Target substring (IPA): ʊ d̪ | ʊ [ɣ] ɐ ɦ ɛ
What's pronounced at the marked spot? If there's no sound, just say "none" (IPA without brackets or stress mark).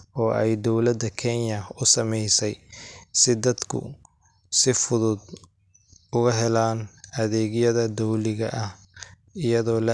ɣ